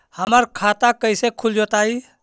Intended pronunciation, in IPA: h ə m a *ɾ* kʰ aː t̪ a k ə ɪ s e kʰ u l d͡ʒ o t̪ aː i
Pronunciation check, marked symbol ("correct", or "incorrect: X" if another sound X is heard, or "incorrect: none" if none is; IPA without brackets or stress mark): correct